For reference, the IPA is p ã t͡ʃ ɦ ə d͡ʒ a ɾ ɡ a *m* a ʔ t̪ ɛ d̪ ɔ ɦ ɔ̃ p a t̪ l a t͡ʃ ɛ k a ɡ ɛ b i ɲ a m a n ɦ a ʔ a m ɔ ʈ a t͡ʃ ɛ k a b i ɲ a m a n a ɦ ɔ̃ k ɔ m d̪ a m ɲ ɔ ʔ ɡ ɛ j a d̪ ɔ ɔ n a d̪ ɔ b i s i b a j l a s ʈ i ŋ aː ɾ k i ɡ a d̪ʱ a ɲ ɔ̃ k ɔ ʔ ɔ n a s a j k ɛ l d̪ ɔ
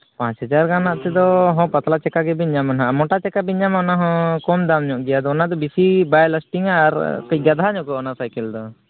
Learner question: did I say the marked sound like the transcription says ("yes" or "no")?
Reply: no